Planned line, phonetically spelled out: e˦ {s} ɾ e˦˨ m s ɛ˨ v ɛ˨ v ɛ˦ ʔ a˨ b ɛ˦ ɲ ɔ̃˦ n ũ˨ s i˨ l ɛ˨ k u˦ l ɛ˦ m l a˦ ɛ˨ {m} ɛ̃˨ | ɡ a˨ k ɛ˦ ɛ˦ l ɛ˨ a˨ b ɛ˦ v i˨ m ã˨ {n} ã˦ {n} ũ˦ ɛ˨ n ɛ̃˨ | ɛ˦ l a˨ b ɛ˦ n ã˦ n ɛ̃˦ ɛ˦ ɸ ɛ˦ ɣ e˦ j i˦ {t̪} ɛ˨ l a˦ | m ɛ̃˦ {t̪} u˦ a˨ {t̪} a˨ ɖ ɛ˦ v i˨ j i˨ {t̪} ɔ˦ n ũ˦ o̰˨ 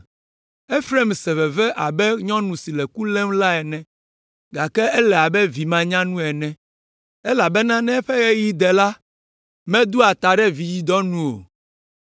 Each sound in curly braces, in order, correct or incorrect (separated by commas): incorrect, incorrect, incorrect, correct, incorrect, incorrect, correct, incorrect